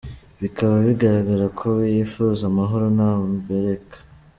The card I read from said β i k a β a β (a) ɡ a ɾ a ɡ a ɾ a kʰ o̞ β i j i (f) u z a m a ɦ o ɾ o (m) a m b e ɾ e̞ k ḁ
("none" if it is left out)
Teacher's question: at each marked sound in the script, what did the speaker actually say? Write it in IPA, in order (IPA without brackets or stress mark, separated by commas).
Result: i, f, n